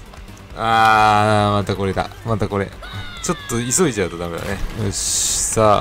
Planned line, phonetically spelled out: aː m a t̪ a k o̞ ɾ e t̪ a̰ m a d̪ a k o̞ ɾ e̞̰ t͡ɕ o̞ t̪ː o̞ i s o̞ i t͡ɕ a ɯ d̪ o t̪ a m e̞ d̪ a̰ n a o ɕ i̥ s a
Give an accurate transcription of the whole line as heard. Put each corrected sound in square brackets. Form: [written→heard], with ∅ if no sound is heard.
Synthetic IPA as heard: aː m a t̪ a k o̞ ɾ e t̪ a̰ m a [d̪→t̪] a k o̞ ɾ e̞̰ t͡ɕ o̞ t̪ː o̞ i s o̞ i t͡ɕ a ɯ [d̪→t̪] o [t̪→d̪] a m e̞ d̪ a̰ n [a→e] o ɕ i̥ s a

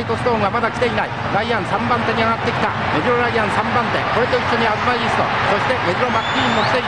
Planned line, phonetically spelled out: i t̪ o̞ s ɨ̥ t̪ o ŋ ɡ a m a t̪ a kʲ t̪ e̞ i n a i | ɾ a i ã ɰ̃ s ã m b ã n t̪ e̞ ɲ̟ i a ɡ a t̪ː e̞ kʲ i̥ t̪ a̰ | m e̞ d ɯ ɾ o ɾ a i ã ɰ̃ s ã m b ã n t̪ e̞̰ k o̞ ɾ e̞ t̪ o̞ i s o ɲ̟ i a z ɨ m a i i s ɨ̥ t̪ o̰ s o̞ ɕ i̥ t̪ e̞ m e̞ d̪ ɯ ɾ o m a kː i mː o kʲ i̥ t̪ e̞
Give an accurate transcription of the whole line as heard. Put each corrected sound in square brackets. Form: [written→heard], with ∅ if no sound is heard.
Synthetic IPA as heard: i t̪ o̞ s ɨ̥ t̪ o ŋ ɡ a m a [t̪→d̪] a kʲ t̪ e̞ i n a i | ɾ a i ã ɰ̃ s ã m b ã n t̪ e̞ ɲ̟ i a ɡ a t̪ː e̞ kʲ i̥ t̪ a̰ | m e̞ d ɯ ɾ o ɾ a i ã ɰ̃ s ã m b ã n t̪ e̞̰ k o̞ ɾ e̞ t̪ o̞ i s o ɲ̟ i a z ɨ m a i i s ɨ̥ t̪ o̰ s o̞ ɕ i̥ t̪ e̞ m e̞ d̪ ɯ ɾ o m a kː i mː o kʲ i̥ t̪ e̞

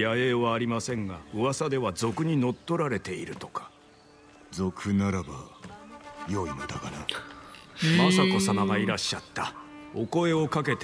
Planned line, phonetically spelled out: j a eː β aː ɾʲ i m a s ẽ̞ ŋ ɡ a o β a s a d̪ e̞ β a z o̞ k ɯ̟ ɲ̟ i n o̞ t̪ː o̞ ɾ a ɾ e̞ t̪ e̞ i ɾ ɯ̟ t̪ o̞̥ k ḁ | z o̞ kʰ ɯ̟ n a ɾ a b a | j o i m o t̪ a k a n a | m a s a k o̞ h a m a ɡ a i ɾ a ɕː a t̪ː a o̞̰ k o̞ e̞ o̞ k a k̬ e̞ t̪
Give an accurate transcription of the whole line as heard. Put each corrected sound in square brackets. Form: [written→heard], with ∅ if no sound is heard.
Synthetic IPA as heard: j a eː β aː ɾʲ i m a s ẽ̞ ŋ ɡ a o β a s a d̪ e̞ β a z o̞ k ɯ̟ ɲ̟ i n o̞ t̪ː o̞ ɾ a ɾ e̞ t̪ e̞ i ɾ ɯ̟ t̪ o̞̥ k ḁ | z o̞ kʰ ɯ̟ n a ɾ a b a | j o i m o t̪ a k a n a | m a s a k o̞ [h→s] a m a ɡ a i ɾ a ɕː a t̪ː a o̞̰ k o̞ e̞ o̞ k a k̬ e̞ t̪

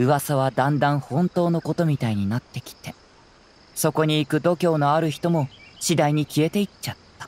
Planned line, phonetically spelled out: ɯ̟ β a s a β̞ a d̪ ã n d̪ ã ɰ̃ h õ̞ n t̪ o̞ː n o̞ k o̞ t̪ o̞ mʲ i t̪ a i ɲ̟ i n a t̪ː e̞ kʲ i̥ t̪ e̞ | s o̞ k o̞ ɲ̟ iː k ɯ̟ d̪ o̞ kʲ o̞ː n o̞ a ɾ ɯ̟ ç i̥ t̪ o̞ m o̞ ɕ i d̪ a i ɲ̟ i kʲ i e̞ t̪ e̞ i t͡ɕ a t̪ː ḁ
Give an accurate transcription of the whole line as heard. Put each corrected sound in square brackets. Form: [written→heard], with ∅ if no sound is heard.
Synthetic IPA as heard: ɯ̟ β a s a β̞ a d̪ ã n d̪ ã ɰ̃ h õ̞ n t̪ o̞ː n o̞ k o̞ t̪ o̞ mʲ i t̪ a i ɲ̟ i n a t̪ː e̞ kʲ i̥ t̪ e̞ | s o̞ k o̞ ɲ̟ iː k ɯ̟ d̪ o̞ kʲ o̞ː n o̞ a ɾ ɯ̟ ç i̥ t̪ o̞ m o̞ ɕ i d̪ a i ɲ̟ i kʲ i e̞ t̪ e̞ i t͡ɕ a t̪ː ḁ

